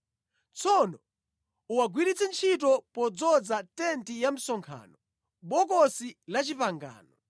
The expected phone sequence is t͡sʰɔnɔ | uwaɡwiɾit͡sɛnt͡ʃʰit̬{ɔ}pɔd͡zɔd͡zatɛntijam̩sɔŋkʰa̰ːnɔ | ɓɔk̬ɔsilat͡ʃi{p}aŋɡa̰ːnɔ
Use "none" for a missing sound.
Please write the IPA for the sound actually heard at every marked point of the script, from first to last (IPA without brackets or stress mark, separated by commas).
ɔ, p